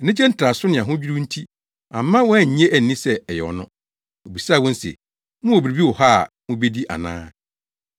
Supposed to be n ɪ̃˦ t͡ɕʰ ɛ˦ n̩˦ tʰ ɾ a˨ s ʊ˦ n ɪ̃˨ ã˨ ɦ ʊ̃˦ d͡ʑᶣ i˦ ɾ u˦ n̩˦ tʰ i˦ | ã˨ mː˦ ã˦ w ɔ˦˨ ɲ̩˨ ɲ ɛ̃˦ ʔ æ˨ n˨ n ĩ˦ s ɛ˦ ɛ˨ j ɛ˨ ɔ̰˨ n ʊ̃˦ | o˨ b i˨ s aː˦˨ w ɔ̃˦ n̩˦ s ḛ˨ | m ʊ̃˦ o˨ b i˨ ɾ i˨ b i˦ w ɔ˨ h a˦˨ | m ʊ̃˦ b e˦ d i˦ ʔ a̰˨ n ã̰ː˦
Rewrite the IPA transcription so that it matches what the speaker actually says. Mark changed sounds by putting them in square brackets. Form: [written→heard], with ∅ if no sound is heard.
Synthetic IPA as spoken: n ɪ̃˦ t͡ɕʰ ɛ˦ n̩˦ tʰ ɾ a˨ s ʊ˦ n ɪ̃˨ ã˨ ɦ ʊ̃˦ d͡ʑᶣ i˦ ɾ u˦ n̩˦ tʰ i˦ | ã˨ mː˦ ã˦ w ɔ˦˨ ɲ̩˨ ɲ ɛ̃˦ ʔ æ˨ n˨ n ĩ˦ s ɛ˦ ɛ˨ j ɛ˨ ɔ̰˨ n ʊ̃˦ | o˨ b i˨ s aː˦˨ w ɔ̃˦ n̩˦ s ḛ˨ | m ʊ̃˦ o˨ b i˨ ɾ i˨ b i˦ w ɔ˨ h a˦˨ | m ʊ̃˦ b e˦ d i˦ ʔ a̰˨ n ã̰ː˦